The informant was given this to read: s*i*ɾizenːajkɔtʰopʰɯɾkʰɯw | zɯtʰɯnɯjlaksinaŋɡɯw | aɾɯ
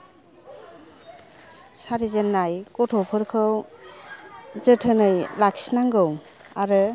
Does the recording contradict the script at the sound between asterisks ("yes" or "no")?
yes